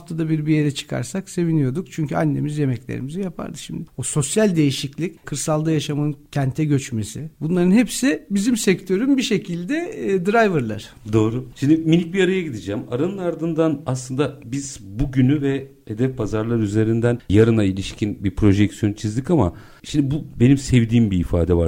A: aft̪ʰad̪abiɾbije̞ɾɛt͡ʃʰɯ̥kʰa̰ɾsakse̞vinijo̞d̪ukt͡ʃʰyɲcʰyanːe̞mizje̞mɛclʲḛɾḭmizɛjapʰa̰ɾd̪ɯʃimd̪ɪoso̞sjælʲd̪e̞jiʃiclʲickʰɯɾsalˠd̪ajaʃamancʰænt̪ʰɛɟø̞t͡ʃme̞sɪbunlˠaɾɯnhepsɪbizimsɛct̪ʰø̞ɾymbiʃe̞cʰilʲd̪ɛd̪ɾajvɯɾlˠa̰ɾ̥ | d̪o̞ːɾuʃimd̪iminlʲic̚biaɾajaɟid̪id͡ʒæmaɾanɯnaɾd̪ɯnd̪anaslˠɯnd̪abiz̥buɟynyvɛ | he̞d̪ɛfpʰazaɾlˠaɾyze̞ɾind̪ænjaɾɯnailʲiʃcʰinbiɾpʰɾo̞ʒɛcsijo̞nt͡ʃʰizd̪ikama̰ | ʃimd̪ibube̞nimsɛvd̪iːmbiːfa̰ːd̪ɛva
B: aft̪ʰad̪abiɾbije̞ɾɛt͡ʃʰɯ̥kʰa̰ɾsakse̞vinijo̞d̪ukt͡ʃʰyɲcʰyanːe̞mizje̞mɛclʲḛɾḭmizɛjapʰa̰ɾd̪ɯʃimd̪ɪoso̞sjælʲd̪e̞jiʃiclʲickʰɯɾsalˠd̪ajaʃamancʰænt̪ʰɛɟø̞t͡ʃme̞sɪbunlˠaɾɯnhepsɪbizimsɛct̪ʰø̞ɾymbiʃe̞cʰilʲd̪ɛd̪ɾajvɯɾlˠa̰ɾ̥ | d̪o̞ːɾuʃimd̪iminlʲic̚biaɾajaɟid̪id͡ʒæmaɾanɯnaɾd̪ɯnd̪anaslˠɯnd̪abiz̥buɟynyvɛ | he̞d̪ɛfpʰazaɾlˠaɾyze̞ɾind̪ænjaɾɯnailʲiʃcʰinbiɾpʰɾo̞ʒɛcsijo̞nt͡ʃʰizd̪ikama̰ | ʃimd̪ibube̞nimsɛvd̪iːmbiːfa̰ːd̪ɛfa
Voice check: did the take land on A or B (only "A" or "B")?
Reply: A